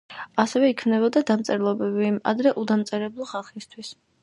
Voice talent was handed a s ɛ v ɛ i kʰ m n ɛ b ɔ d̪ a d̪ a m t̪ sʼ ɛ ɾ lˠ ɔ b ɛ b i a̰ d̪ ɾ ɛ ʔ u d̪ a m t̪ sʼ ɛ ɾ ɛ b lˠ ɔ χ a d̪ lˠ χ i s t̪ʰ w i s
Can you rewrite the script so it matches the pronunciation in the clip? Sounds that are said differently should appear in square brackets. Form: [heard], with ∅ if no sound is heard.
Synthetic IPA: a s ɛ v ɛ i kʰ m n ɛ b ɔ d̪ a d̪ a m t̪ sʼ ɛ ɾ lˠ ɔ b ɛ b i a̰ d̪ ɾ ɛ ʔ u d̪ a m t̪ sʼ ɛ ɾ ɛ b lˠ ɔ χ a [∅] lˠ χ i s t̪ʰ w i s